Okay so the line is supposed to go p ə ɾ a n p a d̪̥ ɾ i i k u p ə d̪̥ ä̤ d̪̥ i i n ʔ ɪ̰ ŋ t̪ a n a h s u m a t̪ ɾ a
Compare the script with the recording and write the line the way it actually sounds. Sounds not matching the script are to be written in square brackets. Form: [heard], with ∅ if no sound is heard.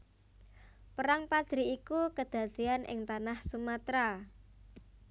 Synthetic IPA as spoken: p ə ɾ a [ŋ] p a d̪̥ ɾ i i k u [k] ə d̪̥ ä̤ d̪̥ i [a] n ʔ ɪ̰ ŋ t̪ a n a h s u m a t̪ ɾ a